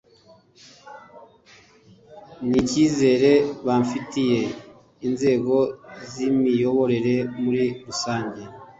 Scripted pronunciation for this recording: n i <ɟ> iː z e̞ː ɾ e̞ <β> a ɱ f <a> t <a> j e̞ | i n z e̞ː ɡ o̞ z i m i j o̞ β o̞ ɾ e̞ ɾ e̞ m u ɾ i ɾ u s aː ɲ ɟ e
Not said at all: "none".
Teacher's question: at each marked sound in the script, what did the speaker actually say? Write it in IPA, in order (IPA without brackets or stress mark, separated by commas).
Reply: c, β, i, i